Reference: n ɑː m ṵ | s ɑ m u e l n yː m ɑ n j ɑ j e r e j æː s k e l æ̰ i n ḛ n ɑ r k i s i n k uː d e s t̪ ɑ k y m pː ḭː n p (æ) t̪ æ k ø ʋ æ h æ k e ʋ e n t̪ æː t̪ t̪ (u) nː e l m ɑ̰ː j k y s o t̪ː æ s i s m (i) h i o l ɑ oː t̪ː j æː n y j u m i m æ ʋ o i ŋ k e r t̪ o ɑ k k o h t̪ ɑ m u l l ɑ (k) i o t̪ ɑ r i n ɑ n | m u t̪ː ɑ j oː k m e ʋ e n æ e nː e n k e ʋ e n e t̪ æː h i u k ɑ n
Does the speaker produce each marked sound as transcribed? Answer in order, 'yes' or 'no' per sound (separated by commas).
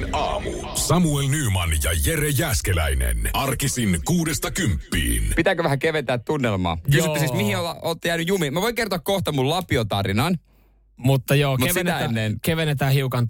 no, yes, yes, no